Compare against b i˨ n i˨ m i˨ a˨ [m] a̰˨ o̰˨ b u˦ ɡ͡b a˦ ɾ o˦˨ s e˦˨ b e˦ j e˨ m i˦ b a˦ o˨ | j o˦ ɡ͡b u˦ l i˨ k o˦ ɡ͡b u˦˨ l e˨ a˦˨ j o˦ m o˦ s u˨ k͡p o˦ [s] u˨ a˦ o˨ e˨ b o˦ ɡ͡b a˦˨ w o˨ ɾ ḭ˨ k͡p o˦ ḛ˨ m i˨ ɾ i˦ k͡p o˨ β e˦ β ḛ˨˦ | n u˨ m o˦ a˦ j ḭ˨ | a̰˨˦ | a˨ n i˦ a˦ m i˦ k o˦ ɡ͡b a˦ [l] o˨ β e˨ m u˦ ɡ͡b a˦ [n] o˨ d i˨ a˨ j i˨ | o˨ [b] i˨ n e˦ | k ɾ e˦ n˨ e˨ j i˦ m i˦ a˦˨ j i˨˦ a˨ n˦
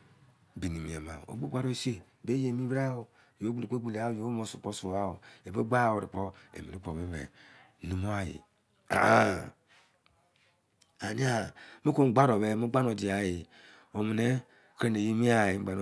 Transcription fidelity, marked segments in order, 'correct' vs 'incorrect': correct, correct, incorrect, correct, incorrect

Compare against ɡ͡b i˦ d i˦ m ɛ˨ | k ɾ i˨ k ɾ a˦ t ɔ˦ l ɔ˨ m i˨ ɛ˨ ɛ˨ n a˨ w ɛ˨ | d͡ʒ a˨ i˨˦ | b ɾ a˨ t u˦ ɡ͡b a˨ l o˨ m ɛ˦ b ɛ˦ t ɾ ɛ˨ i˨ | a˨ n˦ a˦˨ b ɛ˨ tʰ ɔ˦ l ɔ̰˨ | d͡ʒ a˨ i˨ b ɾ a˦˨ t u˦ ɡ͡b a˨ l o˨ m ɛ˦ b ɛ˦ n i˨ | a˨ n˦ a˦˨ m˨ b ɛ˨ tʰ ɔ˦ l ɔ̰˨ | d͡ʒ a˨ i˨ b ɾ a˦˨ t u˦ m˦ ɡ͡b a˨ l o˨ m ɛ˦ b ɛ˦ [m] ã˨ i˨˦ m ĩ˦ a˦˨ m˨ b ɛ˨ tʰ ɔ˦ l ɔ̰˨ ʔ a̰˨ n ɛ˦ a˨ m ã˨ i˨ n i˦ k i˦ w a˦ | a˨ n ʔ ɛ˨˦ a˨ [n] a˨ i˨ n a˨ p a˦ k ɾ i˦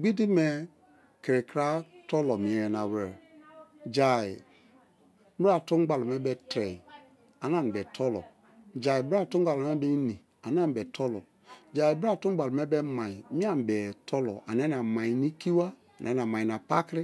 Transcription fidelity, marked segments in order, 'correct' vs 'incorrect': correct, incorrect

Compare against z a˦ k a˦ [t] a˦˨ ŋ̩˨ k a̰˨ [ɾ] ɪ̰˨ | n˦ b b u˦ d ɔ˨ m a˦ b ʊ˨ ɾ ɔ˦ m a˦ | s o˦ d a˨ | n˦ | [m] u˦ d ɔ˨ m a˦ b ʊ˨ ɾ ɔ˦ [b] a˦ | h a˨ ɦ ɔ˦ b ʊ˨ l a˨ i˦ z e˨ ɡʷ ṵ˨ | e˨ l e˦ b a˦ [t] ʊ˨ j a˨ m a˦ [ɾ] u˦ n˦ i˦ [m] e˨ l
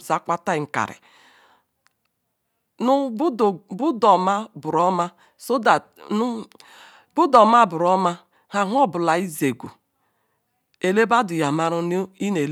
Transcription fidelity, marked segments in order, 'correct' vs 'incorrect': correct, correct, incorrect, incorrect, incorrect, correct, incorrect

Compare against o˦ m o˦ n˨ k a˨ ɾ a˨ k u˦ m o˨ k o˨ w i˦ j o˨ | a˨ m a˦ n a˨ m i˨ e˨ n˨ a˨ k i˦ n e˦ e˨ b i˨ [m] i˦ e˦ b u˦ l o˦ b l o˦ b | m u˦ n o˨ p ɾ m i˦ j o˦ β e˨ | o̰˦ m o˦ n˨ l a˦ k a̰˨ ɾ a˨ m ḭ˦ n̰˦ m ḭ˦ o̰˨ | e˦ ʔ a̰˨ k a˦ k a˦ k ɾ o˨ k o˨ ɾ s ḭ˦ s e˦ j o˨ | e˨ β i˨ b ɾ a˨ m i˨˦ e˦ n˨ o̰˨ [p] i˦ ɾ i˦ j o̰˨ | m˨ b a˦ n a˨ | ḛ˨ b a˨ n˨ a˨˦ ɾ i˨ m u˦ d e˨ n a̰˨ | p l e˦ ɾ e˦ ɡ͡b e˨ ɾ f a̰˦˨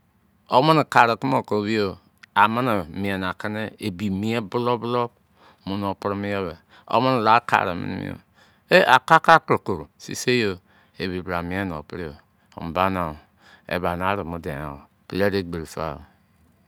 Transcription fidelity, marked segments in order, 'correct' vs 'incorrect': correct, correct

